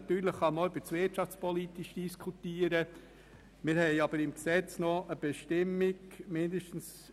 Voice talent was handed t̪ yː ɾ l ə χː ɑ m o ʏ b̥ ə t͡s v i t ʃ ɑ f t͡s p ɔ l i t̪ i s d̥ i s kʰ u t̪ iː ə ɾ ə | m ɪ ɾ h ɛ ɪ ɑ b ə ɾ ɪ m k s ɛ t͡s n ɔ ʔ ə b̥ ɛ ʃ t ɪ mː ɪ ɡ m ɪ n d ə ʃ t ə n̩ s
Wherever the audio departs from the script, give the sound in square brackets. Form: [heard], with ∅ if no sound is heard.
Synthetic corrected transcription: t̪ yː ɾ l ə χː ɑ m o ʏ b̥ ə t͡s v [ɪ] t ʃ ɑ f t͡s p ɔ l i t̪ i [ʃ] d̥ i s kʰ u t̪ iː ə ɾ ə | m ɪ ɾ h ɛ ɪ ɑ b ə ɾ ɪ m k s ɛ t͡s n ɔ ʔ ə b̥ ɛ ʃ t ɪ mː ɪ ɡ m ɪ n d ə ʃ t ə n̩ s